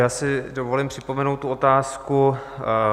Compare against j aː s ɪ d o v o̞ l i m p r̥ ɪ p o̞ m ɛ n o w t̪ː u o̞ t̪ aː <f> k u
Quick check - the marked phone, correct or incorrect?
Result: incorrect